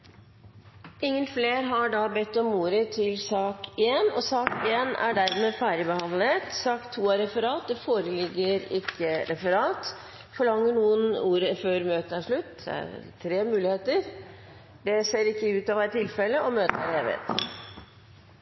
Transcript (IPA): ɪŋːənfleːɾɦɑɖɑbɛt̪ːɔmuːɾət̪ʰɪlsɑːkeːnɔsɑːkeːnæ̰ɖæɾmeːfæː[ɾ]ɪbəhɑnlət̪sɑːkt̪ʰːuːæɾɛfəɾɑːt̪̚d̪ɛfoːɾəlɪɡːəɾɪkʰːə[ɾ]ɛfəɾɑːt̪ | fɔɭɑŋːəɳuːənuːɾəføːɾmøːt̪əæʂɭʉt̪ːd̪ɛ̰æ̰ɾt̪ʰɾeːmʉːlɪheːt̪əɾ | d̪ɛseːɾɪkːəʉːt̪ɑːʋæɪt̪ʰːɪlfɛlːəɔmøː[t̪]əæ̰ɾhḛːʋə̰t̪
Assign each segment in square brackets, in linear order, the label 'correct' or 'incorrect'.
correct, correct, correct

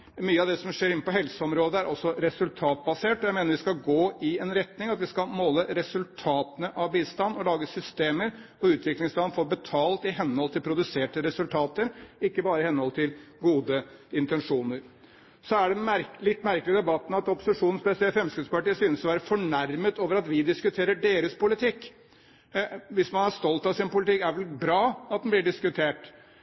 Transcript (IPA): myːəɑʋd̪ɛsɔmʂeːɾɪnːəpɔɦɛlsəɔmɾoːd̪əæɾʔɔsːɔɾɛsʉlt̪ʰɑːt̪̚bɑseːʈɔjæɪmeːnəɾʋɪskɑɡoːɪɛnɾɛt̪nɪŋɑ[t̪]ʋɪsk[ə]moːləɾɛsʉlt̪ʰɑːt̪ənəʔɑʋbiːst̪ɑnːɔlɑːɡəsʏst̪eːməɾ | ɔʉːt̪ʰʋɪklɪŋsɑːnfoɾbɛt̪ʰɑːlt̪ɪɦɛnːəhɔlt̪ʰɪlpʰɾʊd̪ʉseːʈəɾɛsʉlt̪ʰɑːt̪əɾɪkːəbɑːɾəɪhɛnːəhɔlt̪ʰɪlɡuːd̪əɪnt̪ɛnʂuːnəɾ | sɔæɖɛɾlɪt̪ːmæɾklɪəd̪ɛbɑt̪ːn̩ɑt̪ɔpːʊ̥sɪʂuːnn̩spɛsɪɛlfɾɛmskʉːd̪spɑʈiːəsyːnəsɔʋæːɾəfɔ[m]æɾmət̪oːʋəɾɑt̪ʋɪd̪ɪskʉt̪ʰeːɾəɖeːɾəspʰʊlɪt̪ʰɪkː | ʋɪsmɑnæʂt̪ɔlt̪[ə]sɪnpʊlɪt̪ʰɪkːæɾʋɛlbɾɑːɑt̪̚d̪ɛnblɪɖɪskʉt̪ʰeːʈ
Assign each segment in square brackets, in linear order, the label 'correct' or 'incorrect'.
correct, incorrect: ɑ, incorrect: ɳ, incorrect: ɑ

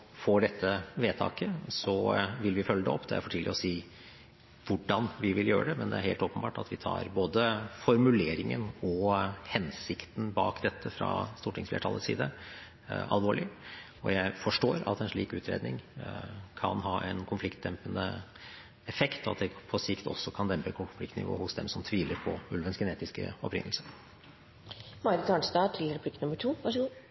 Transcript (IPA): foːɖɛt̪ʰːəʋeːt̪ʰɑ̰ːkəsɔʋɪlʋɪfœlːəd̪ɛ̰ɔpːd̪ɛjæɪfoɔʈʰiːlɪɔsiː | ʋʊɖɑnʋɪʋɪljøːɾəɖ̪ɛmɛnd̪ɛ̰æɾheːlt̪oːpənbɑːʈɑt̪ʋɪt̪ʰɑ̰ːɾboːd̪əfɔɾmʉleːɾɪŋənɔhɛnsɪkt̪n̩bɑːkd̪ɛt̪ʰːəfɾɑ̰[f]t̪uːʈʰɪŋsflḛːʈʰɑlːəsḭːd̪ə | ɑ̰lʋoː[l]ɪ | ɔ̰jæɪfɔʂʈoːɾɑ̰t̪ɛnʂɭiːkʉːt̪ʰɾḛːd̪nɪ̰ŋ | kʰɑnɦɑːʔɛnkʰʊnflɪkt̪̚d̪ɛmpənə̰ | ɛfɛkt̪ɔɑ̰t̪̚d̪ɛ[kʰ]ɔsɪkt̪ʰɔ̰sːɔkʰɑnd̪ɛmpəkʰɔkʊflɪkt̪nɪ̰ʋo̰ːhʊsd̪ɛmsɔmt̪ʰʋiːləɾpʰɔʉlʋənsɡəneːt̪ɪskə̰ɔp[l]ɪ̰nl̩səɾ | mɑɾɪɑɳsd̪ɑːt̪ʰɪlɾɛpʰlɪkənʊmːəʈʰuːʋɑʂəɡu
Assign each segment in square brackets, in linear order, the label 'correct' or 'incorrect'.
incorrect: s, incorrect: ɭ, incorrect: pʰ, incorrect: ɾ

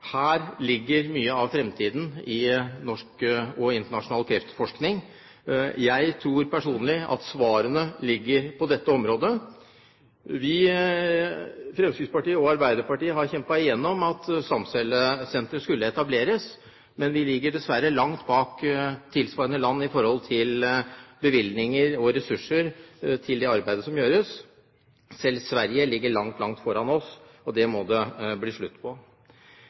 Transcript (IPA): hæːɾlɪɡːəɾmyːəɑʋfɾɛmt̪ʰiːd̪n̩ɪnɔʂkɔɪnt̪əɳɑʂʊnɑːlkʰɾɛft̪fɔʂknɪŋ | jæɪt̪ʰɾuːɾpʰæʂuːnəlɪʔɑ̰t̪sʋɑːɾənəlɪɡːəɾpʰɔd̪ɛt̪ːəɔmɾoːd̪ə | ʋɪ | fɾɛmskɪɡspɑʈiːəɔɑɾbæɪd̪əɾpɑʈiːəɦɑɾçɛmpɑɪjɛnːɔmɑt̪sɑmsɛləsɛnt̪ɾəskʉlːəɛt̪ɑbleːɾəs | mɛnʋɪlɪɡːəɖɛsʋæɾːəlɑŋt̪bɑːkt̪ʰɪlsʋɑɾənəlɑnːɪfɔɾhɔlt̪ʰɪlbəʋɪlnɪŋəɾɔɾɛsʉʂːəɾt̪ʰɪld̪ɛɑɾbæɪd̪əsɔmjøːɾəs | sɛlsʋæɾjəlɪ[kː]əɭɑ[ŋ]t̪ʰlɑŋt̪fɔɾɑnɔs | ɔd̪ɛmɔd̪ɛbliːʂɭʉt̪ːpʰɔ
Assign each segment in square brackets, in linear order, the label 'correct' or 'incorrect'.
incorrect: ɡː, correct

